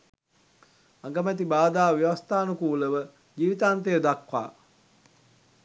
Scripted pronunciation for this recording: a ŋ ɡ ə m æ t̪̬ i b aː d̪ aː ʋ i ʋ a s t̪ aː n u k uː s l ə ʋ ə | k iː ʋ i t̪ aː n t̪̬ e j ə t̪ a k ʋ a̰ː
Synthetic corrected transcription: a ŋ ɡ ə m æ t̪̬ i b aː d̪ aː ʋ i ʋ a s t̪ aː n u k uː l ə ʋ ə | ɡ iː ʋ i t̪ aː n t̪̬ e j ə d̪ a k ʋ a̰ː